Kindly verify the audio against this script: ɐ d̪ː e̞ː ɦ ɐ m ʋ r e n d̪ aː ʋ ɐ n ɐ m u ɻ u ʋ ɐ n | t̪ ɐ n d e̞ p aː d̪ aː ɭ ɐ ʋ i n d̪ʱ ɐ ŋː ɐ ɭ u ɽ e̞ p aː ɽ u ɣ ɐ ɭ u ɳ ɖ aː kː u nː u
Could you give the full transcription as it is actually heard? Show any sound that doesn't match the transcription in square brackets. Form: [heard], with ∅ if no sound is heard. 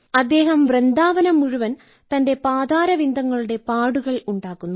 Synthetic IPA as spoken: ɐ d̪ː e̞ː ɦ ɐ m ʋ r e n d̪ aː ʋ ɐ n ɐ m u ɻ u ʋ ɐ n | t̪ ɐ n d e̞ p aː d̪ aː [ɾ] ɐ ʋ i n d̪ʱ ɐ ŋː ɐ ɭ u ɽ e̞ p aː ɽ u ɣ ɐ ɭ u ɳ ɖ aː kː u nː u

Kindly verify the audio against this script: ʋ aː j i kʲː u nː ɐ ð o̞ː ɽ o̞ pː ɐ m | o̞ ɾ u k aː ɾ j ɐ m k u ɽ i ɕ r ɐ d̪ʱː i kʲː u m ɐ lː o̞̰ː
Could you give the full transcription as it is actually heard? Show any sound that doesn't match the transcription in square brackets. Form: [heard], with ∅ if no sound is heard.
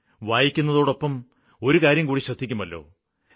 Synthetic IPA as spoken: ʋ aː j i kʲː u nː ɐ ð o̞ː ɽ o̞ pː ɐ m | o̞ ɾ u k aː ɾ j ɐ m k [uː] ɽ i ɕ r ɐ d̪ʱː i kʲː u m ɐ lː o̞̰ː

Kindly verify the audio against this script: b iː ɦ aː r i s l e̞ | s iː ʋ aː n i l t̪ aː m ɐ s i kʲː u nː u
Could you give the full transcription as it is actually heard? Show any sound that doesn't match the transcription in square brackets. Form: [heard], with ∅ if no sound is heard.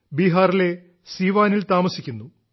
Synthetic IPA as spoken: b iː ɦ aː r i [∅] l e̞ | s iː ʋ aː n i l t̪ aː m ɐ s i kʲː u nː u

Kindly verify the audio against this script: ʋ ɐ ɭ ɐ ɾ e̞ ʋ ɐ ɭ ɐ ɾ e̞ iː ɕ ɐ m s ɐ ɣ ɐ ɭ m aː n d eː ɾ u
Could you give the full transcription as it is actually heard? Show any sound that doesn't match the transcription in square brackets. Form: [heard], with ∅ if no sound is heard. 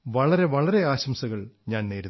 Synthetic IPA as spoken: ʋ ɐ ɭ ɐ ɾ e̞ ʋ ɐ ɭ ɐ ɾ e̞ [aː] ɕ ɐ m s ɐ ɣ ɐ ɭ [ɲ] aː n [n] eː ɾ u

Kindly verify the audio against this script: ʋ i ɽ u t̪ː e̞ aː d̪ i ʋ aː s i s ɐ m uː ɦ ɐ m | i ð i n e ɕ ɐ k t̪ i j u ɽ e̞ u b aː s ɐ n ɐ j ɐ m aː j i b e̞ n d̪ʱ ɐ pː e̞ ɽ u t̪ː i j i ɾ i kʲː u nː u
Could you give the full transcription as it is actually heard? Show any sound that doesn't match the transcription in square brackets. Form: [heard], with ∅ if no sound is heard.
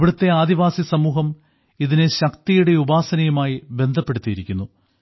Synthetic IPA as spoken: ʋ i ɽ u t̪ː e̞ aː d̪ i ʋ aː s i s ɐ m uː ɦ ɐ m | i ð i n e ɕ ɐ k t̪ i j u ɽ e̞ u b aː s ɐ n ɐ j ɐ m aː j i b e̞ n d̪ʱ ɐ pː e̞ ɽ u t̪ː i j i ɾ i kʲː u nː u

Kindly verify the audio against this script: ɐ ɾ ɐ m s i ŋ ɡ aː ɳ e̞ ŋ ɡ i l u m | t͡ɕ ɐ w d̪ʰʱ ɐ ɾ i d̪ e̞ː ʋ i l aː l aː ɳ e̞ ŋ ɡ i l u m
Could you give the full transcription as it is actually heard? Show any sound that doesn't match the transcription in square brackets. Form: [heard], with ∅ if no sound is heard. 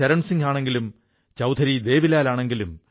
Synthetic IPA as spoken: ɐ ɾ ɐ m s i ŋ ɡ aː ɳ e̞ ŋ ɡ i l u m | t͡ɕ ɐ w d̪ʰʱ ɐ ɾ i d̪ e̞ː ʋ i l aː l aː ɳ e̞ ŋ ɡ i l u m

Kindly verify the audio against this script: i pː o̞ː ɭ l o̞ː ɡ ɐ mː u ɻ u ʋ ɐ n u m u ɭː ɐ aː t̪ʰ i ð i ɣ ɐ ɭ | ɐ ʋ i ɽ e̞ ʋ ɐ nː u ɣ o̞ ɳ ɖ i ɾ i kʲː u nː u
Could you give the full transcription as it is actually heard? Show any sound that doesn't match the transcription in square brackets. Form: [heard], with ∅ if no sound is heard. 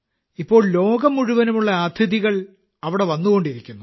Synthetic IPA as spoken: i pː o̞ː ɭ l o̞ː ɡ ɐ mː u ɻ u ʋ ɐ n u m u ɭː ɐ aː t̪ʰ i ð i ɣ ɐ ɭ | ɐ ʋ i ɽ e̞ ʋ ɐ nː u ɣ o̞ ɳ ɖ i ɾ i kʲː u nː u

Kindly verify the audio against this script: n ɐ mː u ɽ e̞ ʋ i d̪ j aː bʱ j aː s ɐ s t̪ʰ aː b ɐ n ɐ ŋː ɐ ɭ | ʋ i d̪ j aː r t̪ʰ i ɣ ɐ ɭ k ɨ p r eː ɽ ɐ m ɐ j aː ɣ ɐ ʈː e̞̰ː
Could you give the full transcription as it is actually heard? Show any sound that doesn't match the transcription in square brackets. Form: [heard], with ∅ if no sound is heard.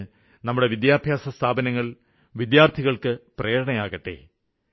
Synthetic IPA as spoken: n ɐ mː u ɽ e̞ ʋ i d̪ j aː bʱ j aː s ɐ s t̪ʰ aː b ɐ n ɐ ŋː ɐ ɭ | ʋ i d̪ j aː r t̪ʰ i ɣ ɐ ɭ k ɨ p r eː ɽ ɐ [ɳ] ɐ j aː ɣ ɐ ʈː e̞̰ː

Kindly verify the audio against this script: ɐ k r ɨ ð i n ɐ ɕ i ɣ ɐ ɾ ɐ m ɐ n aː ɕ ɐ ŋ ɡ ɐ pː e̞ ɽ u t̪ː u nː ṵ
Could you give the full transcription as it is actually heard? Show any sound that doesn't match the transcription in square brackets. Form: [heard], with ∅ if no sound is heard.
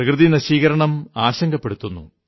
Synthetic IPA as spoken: ɐ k r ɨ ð i n ɐ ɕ [iː] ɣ ɐ ɾ ɐ [ɳ] ɐ [m] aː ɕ ɐ ŋ ɡ ɐ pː e̞ ɽ u t̪ː u nː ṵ

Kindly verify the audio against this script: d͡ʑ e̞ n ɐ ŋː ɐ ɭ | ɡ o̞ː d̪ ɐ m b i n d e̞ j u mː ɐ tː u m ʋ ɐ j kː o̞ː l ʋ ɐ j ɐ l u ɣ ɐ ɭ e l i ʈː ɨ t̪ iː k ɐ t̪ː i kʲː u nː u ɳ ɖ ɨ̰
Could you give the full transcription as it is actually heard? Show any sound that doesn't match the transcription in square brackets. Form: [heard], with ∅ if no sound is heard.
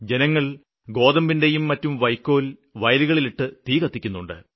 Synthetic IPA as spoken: d͡ʑ e̞ n ɐ ŋː ɐ ɭ | ɡ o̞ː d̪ ɐ m b i n d e̞ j u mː ɐ tː u m ʋ ɐ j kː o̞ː l ʋ ɐ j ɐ l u ɣ ɐ ɭ [i] l i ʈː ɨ t̪ iː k ɐ t̪ː i kʲː u nː u ɳ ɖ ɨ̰

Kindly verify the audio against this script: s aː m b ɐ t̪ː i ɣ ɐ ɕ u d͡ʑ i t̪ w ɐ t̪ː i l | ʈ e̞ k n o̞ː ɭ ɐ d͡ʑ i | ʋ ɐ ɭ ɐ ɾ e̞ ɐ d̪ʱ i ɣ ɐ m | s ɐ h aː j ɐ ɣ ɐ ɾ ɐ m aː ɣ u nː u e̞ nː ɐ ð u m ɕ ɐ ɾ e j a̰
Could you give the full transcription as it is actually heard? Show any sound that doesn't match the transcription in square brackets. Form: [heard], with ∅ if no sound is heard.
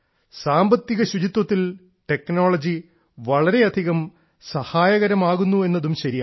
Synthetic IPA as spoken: s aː m b ɐ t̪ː i ɣ ɐ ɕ u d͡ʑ i t̪ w ɐ t̪ː i l | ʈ e̞ k n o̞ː ɭ ɐ d͡ʑ i | ʋ ɐ ɭ ɐ ɾ e̞ ɐ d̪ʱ i ɣ ɐ m | s ɐ h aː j ɐ ɣ ɐ ɾ ɐ m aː ɣ u nː u e̞ nː ɐ ð u m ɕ ɐ ɾ [i] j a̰

